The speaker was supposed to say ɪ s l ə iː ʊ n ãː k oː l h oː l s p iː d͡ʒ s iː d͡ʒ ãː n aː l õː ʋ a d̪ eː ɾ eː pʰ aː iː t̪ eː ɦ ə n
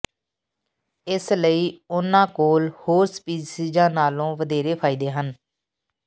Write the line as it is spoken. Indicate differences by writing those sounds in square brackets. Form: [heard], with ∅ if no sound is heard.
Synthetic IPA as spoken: ɪ s l ə iː ʊ n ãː k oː l h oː [ɾ] s p iː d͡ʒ s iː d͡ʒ ãː n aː l õː ʋ [ə] d̪ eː ɾ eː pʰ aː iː [d̪] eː ɦ ə n